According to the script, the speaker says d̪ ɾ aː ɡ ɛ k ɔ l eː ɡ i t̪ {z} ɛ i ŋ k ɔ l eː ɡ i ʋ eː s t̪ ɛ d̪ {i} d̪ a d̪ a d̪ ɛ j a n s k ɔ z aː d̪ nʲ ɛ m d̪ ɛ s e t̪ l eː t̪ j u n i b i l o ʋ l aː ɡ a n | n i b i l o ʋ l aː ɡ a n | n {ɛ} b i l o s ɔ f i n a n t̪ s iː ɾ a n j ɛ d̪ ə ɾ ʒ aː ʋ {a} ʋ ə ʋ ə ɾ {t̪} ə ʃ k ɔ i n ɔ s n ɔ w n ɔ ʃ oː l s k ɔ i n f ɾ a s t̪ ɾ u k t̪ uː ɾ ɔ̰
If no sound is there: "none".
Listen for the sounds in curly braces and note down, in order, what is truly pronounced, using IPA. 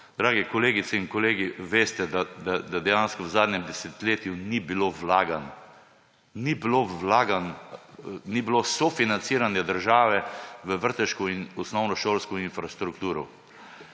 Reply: s, a, i, ɛ, t̪

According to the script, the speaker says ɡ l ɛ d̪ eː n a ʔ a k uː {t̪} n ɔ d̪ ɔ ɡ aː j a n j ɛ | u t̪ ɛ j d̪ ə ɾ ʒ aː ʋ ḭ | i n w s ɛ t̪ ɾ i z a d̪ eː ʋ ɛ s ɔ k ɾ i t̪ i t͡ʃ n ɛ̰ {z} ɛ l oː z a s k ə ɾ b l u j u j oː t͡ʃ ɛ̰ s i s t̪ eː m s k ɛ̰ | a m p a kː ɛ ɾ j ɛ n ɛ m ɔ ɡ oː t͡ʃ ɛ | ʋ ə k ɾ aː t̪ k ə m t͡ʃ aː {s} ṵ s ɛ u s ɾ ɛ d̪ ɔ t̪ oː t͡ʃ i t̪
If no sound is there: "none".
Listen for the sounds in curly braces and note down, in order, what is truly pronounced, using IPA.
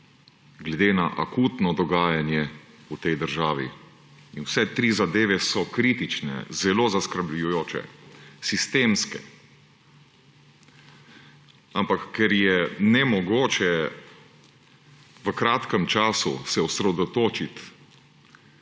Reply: t̪, z, s

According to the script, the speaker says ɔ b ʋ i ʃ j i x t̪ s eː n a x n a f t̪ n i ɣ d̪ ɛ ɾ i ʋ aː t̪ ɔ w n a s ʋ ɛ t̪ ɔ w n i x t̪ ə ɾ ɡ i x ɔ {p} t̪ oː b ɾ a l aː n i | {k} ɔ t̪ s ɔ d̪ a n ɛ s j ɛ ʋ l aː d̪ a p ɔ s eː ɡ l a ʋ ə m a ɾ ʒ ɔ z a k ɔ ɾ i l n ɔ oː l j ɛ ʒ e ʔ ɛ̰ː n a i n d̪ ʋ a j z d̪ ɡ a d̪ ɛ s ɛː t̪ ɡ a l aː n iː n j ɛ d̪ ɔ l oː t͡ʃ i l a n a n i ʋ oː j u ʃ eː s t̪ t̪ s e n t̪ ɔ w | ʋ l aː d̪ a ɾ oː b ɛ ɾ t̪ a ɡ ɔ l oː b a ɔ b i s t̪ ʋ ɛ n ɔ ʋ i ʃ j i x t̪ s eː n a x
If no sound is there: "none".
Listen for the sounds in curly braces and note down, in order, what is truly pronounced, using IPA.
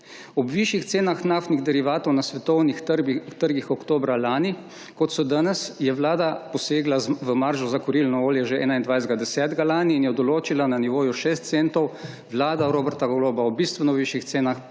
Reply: k, k

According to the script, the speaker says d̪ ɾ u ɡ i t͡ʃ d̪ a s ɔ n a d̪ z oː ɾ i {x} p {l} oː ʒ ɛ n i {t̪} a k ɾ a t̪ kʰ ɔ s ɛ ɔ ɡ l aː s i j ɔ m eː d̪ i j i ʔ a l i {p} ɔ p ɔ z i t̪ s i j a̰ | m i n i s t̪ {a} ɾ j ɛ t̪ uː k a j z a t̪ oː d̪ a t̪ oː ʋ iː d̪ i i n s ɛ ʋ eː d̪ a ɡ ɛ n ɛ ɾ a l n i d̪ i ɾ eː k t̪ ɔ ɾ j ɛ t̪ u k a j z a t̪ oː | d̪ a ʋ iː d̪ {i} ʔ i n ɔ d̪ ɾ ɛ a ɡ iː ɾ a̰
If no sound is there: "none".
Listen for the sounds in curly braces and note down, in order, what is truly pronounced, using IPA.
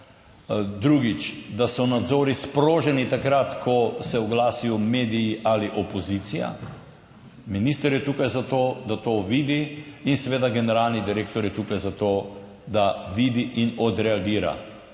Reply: s, ɾ, t̪, ʔ, ə, i

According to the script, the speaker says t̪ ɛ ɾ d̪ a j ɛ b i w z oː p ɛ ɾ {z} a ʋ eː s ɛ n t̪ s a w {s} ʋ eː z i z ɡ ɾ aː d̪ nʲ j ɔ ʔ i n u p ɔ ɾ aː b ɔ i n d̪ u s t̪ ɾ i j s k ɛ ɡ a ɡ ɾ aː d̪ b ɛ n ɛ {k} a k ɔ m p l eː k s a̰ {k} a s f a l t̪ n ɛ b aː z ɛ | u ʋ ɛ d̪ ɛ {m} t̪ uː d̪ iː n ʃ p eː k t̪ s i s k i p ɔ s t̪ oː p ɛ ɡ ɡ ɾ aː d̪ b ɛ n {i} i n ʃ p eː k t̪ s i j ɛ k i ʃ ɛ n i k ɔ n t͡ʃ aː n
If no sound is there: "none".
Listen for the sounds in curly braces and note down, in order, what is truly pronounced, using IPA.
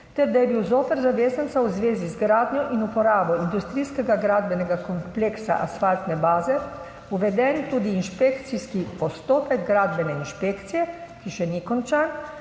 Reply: z, z, ɡ, ʔ, n, ɛ

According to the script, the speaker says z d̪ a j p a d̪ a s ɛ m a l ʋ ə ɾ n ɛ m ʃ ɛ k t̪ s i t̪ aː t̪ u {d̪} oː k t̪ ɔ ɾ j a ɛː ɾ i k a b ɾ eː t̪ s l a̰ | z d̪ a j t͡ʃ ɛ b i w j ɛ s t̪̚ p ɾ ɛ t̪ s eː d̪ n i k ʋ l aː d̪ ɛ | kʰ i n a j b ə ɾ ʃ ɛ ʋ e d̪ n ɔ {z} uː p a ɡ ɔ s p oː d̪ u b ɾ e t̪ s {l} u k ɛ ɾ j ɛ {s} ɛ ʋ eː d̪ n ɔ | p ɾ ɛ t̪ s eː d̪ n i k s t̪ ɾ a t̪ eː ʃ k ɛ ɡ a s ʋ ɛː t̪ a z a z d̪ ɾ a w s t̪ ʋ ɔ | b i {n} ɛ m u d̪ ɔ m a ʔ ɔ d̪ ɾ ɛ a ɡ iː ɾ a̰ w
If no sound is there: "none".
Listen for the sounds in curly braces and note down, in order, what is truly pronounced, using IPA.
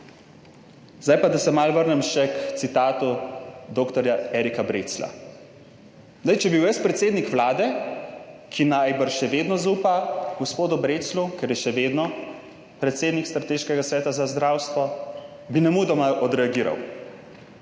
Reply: d̪, z, l, ʃ, n

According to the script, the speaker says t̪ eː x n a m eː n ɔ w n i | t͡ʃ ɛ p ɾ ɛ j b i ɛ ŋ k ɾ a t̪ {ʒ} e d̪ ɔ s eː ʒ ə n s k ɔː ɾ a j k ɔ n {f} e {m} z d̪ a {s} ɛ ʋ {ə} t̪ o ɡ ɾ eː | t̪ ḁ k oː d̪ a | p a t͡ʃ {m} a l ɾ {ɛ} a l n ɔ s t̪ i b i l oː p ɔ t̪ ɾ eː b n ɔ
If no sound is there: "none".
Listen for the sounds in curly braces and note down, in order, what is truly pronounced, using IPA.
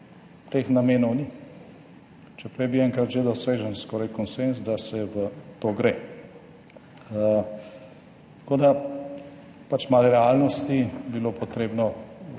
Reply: ʒ, s, n, s, ə, m, ɛ

